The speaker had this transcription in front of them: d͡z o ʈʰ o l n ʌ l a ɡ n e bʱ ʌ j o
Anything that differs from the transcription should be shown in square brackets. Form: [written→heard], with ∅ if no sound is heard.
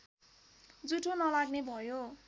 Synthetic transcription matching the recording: d͡z [o→u] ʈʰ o [l→∅] n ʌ l a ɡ n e bʱ ʌ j o